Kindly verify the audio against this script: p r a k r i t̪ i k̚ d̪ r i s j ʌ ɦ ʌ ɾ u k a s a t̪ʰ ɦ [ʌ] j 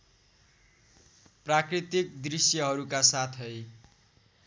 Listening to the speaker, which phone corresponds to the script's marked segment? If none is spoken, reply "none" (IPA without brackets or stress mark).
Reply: ʌ